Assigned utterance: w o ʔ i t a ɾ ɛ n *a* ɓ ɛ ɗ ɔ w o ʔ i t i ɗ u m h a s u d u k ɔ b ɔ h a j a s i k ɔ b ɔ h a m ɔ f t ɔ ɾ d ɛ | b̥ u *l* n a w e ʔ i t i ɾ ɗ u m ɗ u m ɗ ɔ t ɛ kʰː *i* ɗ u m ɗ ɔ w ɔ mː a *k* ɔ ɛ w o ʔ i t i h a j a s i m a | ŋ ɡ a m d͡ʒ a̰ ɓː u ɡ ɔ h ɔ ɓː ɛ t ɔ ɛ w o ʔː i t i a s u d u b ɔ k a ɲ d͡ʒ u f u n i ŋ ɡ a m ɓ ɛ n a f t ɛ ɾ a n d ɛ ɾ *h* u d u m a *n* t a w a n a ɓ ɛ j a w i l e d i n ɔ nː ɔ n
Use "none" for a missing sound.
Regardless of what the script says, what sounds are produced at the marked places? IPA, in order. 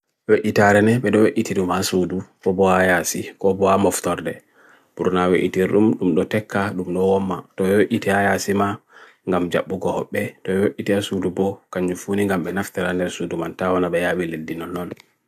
ɛ, ɾ, a, t, s, n

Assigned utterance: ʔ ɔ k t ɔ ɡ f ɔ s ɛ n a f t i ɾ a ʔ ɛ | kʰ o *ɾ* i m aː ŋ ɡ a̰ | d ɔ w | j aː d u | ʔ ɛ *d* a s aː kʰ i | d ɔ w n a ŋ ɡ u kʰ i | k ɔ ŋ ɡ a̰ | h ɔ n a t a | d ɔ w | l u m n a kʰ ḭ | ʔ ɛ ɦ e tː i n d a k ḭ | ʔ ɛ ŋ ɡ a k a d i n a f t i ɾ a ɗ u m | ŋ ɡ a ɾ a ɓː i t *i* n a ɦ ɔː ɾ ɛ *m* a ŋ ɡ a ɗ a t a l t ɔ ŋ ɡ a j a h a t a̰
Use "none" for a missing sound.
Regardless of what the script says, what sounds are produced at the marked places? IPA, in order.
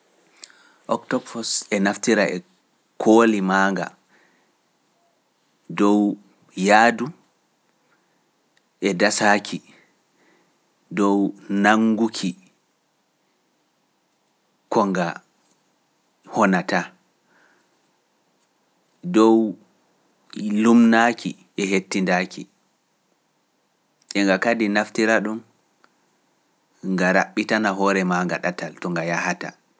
l, d, a, m

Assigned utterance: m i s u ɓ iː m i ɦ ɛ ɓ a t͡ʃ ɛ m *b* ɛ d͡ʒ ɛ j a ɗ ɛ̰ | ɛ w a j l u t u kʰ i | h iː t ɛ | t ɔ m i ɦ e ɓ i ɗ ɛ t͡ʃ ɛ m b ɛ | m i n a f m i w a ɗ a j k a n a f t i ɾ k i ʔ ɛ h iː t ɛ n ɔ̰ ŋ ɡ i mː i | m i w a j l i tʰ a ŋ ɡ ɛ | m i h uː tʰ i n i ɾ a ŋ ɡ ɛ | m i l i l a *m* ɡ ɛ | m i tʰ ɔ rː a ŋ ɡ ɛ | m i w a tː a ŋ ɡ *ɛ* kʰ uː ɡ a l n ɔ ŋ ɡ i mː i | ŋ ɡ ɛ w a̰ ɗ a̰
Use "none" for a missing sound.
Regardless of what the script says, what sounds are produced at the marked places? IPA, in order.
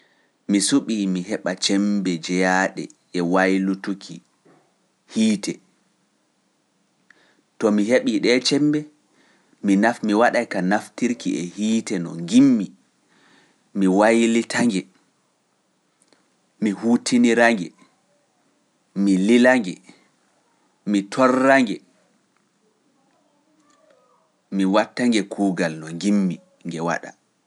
b, ŋ, ɛ

